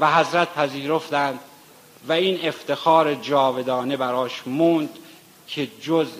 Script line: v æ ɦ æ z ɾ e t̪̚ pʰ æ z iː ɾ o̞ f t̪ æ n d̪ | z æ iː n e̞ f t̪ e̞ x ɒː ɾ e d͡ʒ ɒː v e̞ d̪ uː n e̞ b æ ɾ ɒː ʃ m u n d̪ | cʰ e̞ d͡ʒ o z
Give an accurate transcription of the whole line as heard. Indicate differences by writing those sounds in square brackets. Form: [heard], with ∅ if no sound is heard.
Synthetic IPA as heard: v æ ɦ æ z ɾ [æ] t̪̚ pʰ æ z iː ɾ o̞ f t̪ æ n d̪ | [v] æ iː n e̞ f t̪ e̞ x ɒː ɾ e d͡ʒ ɒː v e̞ d̪ [ɒː] n e̞ b æ ɾ ɒː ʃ m u n d̪ | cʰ e̞ d͡ʒ o z